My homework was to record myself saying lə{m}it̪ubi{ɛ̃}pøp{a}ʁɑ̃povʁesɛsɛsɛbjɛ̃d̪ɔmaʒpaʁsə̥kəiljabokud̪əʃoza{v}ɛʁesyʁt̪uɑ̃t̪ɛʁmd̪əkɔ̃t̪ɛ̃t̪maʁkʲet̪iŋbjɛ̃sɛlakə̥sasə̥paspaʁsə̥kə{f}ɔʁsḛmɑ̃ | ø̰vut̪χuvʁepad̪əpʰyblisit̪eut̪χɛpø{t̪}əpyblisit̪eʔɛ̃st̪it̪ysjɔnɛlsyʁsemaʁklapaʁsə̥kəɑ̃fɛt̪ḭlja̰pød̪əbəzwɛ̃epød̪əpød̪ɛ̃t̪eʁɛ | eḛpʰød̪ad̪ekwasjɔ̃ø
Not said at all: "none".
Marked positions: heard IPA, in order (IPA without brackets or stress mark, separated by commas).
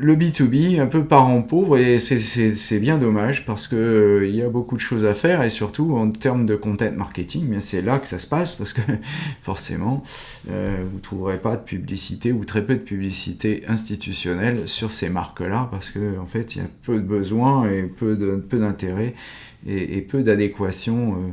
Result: b, ɛ̃, a, f, f, d̪